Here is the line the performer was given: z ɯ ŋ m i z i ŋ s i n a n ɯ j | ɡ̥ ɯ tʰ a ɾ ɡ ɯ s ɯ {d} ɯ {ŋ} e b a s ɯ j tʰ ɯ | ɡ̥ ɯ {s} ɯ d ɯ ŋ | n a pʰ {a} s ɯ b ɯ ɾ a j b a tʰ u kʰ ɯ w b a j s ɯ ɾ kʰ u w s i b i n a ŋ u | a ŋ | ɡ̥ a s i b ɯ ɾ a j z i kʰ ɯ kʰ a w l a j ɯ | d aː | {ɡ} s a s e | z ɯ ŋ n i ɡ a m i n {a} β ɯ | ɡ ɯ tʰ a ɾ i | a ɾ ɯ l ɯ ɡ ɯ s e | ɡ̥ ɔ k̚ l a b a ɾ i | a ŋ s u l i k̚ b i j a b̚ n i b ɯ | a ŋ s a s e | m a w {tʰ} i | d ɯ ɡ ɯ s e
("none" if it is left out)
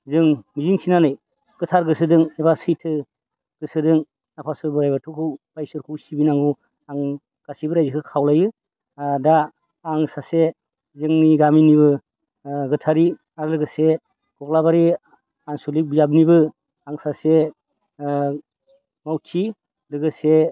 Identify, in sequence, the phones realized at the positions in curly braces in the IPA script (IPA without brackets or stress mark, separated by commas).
d, ŋ, s, a, ŋ, i, tʰ